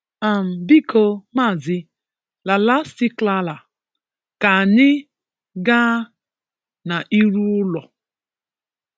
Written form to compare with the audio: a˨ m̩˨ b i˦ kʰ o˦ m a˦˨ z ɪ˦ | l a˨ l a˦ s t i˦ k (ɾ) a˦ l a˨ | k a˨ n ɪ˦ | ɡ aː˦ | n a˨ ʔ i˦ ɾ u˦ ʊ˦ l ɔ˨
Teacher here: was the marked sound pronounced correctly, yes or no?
no